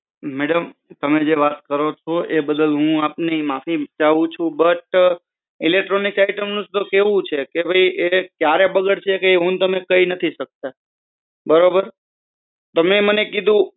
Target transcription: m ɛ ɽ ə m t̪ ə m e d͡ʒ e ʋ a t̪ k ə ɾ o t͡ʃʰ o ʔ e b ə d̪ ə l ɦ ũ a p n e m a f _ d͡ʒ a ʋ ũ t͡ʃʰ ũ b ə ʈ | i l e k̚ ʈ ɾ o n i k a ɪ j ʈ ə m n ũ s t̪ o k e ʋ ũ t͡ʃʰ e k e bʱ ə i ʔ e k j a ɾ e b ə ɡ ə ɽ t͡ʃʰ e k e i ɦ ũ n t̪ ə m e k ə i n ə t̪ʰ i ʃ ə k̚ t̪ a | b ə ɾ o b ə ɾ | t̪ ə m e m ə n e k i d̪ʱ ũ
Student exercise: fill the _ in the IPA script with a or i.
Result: i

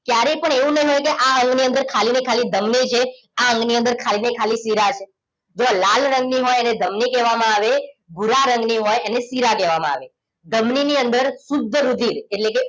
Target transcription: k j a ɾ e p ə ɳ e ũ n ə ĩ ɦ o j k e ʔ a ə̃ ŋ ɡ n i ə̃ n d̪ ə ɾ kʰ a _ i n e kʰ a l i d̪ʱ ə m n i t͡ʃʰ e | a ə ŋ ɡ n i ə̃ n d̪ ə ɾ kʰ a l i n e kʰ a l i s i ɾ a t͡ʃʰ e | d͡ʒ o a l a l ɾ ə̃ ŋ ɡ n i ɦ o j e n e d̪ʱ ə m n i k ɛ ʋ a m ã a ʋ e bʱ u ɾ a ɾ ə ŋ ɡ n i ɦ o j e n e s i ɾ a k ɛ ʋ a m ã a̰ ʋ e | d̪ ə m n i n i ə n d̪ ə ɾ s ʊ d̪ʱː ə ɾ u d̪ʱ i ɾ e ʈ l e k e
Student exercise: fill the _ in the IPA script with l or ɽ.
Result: l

